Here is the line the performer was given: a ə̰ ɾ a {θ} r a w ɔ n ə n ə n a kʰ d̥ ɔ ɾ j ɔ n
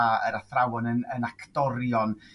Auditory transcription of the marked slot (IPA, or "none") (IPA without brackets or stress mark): θ